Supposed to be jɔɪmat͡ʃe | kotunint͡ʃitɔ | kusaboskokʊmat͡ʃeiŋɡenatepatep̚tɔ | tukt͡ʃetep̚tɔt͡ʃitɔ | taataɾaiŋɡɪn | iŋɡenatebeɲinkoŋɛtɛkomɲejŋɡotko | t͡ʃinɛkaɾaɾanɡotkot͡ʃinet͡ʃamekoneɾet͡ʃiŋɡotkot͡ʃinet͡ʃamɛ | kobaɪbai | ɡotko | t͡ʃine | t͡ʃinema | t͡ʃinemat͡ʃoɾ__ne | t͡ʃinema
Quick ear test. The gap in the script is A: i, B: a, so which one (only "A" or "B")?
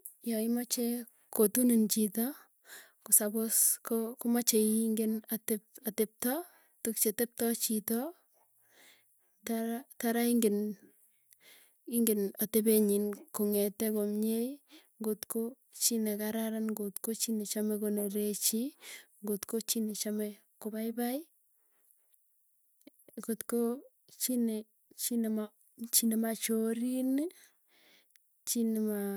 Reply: A